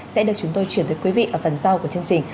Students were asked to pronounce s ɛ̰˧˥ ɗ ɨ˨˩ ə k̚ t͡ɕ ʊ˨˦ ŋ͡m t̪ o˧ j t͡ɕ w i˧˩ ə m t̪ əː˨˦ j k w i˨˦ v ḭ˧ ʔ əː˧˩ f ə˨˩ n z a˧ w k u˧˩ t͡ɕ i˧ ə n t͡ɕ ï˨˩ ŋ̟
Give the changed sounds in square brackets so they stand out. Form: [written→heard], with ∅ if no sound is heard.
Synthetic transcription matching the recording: s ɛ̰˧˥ ɗ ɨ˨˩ ə k̚ t͡ɕ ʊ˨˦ ŋ͡m t̪ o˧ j t͡ɕ w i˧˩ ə [m→n] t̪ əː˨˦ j k w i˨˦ v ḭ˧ ʔ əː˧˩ f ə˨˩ n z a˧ w k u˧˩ t͡ɕ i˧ ə n t͡ɕ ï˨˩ ŋ̟